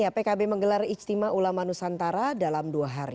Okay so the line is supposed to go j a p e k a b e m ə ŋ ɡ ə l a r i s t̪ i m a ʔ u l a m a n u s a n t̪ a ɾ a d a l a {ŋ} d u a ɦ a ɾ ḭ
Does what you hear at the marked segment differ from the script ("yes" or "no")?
yes